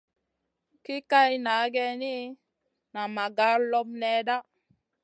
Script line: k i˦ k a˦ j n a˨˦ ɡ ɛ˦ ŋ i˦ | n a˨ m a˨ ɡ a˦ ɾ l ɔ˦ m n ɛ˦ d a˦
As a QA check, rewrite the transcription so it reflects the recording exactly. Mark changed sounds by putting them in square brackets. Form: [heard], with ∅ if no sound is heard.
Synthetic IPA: k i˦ k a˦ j n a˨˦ ɡ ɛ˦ [n] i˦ | n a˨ m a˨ ɡ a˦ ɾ l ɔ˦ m n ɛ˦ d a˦